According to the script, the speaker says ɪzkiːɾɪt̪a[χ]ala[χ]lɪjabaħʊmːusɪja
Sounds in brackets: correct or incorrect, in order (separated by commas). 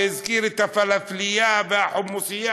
incorrect, incorrect